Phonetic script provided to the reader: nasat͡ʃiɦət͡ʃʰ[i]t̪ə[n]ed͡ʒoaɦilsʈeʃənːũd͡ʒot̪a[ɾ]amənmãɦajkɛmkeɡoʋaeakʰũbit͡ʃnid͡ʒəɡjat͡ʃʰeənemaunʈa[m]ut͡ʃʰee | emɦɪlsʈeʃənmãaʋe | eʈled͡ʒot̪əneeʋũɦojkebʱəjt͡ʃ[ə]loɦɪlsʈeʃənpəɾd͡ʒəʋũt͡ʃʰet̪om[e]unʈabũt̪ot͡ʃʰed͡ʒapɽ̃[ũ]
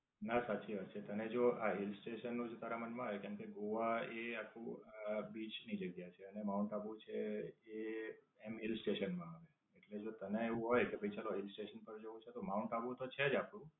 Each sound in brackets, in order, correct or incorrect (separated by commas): incorrect, correct, correct, incorrect, incorrect, incorrect, correct